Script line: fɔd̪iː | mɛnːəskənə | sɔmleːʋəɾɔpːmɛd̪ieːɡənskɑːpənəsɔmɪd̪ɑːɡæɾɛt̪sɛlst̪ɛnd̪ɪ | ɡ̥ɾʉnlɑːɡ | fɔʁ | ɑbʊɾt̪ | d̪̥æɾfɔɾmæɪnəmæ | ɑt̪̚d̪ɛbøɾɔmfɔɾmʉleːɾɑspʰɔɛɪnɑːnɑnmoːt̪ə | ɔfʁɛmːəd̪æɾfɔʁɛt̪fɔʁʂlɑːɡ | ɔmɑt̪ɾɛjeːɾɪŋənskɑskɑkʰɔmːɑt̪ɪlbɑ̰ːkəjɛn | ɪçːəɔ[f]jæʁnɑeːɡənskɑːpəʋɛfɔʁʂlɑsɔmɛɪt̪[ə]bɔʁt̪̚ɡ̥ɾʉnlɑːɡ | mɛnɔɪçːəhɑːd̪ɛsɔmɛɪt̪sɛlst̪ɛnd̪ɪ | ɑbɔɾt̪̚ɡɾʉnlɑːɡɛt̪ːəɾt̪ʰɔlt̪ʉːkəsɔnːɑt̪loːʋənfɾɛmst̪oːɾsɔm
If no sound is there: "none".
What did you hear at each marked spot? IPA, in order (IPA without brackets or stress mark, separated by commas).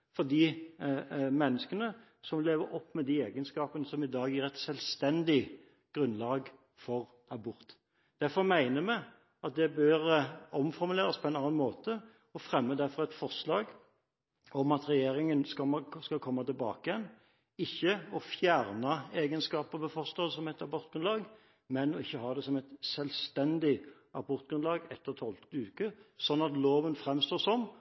f, ɑ